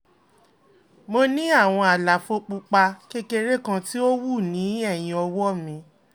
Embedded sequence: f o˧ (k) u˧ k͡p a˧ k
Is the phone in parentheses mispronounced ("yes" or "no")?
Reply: yes